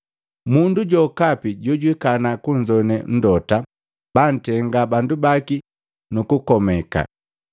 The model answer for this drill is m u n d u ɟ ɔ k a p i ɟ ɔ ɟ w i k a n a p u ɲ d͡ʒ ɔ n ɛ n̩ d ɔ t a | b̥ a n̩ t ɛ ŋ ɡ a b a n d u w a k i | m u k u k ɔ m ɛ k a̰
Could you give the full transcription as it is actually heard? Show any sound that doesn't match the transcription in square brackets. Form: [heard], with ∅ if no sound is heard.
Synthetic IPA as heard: m u n d u ɟ ɔ k a p i ɟ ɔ ɟ w i k a n a [k] u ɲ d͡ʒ ɔ n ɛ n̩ d ɔ t a | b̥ a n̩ t ɛ ŋ ɡ a b a n d u [b] a k i | [n] u k u k ɔ m ɛ k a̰